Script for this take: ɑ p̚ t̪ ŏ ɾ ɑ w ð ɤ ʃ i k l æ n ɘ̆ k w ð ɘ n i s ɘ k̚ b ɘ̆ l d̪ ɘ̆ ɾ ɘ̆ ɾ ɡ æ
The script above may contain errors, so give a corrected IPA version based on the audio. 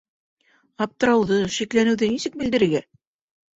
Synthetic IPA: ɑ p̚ t̪ ɤ̆ ɾ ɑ w ð ɤ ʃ i k l æ n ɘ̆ w ð ɘ n i s ɘ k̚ b ɘ̆ l d̪ ɘ̆ ɾ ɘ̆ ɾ ɡ æ